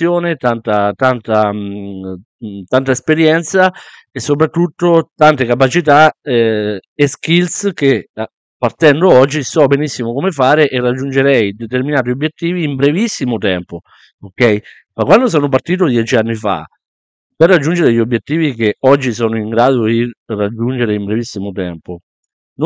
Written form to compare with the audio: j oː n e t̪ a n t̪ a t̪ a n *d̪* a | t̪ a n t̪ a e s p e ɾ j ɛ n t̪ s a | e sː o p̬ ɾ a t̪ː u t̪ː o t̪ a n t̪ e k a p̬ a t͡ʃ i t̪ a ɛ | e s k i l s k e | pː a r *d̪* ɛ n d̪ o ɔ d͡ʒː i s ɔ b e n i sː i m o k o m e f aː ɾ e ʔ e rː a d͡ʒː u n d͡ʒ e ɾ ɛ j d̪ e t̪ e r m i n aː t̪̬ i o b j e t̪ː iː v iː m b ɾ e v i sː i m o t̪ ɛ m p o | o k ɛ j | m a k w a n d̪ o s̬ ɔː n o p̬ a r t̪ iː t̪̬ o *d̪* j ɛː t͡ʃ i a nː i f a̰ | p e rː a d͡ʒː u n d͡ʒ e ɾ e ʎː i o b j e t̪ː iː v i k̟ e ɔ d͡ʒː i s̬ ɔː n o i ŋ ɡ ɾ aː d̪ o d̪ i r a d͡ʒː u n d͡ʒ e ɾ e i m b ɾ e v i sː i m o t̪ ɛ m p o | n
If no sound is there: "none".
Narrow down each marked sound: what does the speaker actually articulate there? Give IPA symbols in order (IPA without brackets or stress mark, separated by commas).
t̪, t̪, d̪